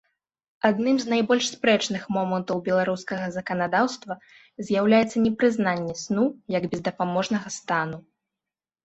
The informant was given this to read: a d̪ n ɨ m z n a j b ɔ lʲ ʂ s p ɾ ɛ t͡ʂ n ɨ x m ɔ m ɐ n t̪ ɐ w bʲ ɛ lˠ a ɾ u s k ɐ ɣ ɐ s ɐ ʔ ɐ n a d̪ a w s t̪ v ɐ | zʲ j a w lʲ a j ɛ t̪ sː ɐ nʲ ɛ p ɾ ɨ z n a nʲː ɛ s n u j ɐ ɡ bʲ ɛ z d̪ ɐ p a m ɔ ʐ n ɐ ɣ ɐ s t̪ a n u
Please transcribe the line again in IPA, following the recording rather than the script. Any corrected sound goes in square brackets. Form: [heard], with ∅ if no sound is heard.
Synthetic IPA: a d̪ n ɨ m z n a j b ɔ lʲ ʂ s p ɾ ɛ t͡ʂ n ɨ x m ɔ m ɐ n t̪ ɐ w bʲ ɛ lˠ a ɾ u s k ɐ ɣ ɐ [z] ɐ [k] ɐ n a d̪ a w s t̪ v ɐ | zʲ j a w lʲ a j ɛ t̪ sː ɐ nʲ ɛ p ɾ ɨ z n a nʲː ɛ s n u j ɐ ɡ bʲ ɛ z d̪ ɐ p a m ɔ ʐ n ɐ ɣ ɐ s t̪ a n u